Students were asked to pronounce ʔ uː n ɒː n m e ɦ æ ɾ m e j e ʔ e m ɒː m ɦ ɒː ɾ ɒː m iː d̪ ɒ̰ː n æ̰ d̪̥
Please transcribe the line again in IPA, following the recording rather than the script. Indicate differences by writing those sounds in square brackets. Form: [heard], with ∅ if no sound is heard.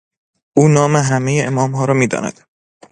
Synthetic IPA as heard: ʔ uː n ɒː [∅] m e ɦ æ [∅] m e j e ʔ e m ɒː m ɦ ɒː ɾ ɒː m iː d̪ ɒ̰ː n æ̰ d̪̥